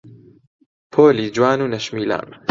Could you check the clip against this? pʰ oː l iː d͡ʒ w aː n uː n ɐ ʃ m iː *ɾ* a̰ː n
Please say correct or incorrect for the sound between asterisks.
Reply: incorrect: l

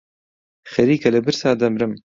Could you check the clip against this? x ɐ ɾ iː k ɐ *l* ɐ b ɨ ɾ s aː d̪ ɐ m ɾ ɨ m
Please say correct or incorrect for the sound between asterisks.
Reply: correct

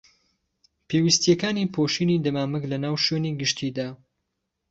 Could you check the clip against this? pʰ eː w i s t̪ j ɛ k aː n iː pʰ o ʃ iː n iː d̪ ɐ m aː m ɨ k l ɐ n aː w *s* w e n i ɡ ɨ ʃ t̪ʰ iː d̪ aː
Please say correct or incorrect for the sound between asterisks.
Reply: incorrect: ʃ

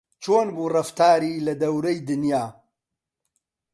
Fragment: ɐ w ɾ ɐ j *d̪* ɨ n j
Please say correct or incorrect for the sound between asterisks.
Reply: correct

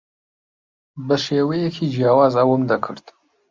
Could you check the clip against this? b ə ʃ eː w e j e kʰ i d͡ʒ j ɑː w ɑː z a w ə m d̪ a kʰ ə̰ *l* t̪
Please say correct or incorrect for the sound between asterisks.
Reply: incorrect: ɾ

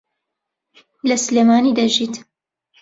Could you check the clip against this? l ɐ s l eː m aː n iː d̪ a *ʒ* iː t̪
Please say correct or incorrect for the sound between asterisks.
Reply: correct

